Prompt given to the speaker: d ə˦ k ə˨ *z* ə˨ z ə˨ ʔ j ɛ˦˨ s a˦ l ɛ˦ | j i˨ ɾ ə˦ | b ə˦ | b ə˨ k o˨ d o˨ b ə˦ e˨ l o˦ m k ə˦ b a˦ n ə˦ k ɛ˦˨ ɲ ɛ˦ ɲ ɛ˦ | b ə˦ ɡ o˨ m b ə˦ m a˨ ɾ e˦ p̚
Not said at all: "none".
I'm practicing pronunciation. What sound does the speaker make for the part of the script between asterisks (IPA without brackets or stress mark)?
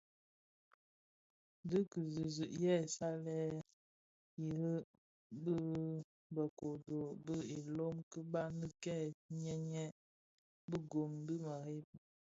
z